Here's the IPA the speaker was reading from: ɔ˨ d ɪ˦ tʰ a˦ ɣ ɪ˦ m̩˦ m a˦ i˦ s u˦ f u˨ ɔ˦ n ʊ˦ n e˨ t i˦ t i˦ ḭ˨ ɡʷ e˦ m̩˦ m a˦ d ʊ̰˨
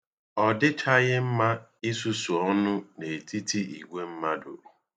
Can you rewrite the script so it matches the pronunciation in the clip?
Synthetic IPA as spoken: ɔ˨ d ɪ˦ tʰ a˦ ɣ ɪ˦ m̩˦ m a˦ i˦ s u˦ s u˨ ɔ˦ n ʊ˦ n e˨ t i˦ t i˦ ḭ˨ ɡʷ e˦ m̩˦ m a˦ d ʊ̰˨